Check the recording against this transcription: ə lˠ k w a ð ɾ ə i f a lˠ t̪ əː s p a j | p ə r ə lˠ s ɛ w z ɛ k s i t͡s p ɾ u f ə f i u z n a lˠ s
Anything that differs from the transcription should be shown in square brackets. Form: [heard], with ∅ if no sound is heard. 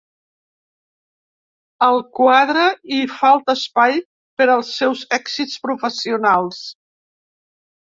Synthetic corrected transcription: ə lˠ k w a ð ɾ ə i f a lˠ t̪ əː s p a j | p ə [ɾ] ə lˠ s ɛ w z ɛ k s i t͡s p ɾ u f ə [s] i u [∅] n a lˠ s